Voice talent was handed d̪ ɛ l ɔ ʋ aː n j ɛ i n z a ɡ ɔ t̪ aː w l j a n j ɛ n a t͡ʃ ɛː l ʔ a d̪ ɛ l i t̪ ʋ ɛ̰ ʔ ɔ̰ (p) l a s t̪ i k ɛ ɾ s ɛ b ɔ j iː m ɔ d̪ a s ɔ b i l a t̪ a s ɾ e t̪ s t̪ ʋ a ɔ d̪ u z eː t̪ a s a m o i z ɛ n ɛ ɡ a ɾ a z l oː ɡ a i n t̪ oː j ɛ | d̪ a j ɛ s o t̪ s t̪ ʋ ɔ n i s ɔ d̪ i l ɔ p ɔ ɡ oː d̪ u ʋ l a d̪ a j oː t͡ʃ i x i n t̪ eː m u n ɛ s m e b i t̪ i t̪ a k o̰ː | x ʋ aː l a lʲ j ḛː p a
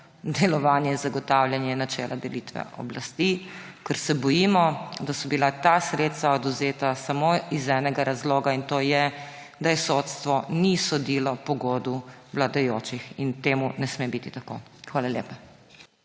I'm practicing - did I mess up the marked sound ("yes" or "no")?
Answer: yes